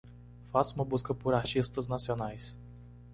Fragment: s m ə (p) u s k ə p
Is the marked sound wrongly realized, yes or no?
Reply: yes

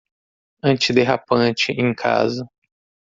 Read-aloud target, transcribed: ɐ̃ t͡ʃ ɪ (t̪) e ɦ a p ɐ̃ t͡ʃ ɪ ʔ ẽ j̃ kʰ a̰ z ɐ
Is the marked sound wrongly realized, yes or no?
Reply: yes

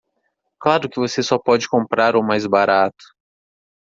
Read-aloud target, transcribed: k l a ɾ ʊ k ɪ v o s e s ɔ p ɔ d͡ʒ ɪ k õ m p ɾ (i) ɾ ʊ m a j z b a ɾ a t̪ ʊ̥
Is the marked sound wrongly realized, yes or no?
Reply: yes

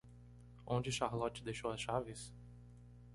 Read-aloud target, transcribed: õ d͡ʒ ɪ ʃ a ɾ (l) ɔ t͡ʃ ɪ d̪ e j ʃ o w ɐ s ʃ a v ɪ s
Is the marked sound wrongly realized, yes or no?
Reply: no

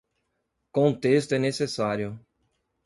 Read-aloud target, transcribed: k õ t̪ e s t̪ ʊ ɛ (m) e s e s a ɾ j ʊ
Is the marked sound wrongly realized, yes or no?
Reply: yes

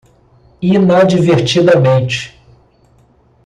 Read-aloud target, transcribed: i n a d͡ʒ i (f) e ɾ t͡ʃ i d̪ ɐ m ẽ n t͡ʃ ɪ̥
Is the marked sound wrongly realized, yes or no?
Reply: yes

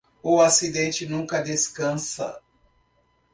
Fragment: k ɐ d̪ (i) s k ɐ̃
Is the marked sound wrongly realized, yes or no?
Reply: yes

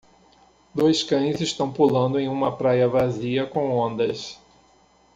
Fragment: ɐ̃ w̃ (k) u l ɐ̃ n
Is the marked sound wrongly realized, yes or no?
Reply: yes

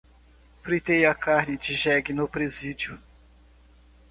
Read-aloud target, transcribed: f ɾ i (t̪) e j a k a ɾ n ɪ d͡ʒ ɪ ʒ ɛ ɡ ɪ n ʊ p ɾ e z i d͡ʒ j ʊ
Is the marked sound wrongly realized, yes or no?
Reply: no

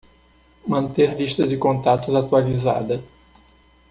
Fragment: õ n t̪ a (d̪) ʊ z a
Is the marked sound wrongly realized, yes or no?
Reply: yes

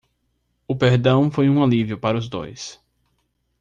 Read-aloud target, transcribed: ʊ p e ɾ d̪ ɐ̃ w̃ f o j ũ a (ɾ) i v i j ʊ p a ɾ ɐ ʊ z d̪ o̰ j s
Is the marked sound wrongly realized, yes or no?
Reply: yes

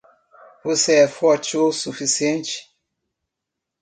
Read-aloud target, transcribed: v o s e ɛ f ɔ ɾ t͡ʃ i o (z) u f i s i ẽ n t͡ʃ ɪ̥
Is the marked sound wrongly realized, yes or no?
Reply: yes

